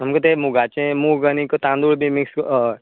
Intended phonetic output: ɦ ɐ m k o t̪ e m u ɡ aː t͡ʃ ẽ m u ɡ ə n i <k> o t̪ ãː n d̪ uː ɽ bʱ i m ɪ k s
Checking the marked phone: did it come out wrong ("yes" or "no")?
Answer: no